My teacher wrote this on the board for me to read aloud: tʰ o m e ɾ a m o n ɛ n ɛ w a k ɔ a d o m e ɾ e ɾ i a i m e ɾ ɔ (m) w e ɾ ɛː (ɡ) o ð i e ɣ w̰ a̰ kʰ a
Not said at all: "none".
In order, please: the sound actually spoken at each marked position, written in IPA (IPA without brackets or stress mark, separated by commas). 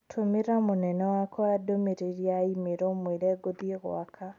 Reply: m, ɡ